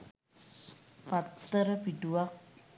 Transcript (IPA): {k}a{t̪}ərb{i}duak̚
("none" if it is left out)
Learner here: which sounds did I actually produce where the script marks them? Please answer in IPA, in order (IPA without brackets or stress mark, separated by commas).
p, t̪, i